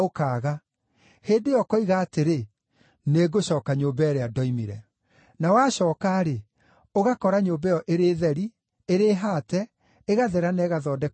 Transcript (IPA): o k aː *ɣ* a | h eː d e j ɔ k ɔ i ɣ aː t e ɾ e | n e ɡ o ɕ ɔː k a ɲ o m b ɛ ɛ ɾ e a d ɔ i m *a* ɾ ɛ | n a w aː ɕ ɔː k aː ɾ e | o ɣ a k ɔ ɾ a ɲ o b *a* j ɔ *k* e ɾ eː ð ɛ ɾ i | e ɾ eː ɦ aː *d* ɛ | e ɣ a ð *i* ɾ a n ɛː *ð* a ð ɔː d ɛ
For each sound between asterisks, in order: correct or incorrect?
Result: correct, incorrect, incorrect, incorrect, incorrect, incorrect, incorrect

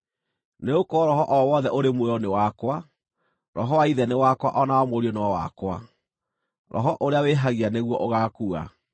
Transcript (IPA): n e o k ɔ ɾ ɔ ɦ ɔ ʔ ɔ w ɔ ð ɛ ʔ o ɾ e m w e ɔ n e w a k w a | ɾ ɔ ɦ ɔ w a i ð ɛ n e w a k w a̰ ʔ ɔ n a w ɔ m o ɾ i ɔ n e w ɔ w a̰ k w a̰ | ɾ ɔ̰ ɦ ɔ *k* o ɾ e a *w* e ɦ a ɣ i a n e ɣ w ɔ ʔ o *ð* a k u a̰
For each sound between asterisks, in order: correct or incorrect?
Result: incorrect, correct, incorrect

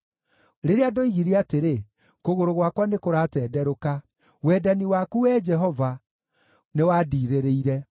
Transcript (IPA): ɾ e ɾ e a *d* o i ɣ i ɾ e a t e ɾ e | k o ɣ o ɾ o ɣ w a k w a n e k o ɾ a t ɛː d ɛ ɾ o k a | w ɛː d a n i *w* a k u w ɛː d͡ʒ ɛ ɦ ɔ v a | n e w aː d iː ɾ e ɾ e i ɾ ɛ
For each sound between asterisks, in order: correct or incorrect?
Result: correct, correct

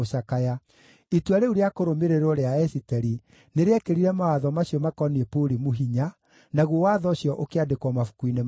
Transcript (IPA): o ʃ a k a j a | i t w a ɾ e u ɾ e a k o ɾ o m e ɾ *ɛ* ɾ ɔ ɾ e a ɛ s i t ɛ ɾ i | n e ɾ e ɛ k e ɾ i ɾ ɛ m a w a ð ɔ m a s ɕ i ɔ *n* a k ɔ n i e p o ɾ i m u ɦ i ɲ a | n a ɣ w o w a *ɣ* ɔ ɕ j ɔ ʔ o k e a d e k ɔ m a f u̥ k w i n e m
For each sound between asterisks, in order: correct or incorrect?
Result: incorrect, incorrect, incorrect

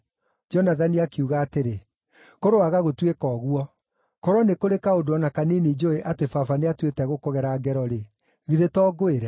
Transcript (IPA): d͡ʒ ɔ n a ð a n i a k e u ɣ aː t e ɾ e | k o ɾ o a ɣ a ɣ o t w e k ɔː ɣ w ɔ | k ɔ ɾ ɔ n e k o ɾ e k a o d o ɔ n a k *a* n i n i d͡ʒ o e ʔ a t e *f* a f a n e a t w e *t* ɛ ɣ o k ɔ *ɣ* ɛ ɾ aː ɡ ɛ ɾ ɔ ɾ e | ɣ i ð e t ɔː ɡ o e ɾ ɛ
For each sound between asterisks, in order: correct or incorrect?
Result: correct, correct, correct, correct

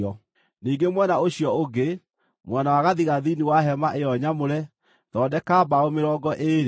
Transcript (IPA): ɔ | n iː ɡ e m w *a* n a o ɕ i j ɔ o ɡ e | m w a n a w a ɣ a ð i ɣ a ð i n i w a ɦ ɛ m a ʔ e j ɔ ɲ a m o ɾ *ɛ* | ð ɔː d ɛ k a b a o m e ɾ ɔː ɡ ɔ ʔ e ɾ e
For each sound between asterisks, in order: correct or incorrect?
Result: incorrect, correct

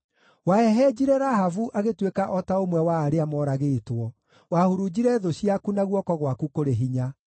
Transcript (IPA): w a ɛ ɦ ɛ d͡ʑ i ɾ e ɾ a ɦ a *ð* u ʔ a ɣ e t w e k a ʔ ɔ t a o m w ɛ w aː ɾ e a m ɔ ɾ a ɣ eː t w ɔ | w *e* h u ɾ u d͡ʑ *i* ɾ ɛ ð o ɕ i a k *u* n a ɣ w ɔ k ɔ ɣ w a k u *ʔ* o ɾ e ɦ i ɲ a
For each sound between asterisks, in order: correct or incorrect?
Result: incorrect, incorrect, correct, correct, incorrect

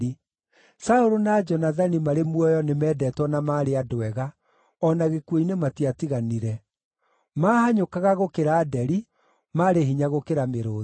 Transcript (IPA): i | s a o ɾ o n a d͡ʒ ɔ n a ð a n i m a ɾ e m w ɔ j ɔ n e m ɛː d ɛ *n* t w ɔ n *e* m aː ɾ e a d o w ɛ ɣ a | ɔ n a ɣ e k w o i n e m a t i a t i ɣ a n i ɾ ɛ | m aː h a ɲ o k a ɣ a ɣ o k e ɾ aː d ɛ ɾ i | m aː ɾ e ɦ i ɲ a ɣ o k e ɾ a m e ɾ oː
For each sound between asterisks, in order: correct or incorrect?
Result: incorrect, incorrect

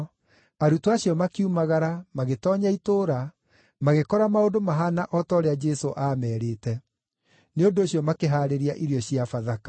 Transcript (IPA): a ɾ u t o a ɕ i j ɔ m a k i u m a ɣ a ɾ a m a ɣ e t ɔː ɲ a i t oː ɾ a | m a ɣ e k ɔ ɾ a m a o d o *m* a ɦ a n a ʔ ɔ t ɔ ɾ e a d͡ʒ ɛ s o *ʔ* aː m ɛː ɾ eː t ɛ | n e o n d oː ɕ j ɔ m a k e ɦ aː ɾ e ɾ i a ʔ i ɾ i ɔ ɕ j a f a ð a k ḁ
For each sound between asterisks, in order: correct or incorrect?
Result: correct, correct

